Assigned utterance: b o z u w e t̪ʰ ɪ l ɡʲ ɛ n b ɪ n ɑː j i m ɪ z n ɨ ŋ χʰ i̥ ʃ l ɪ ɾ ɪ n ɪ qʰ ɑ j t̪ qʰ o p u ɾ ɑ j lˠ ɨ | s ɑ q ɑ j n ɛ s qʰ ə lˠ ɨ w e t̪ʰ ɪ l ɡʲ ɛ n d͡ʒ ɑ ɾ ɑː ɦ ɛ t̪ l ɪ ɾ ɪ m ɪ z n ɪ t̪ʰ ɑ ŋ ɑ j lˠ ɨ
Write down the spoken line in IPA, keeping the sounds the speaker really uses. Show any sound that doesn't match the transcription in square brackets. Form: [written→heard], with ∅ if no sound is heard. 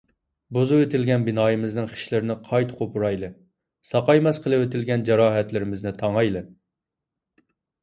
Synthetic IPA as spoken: b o z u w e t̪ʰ ɪ l ɡʲ ɛ n b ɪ n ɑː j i m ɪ z n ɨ ŋ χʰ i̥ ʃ l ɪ ɾ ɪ n ɪ qʰ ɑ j t̪ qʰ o p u ɾ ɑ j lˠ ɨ | s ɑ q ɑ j [n→m] ɛ s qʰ ə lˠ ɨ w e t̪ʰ ɪ l ɡʲ ɛ n d͡ʒ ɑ ɾ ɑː ɦ ɛ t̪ l ɪ ɾ ɪ m ɪ z n ɪ t̪ʰ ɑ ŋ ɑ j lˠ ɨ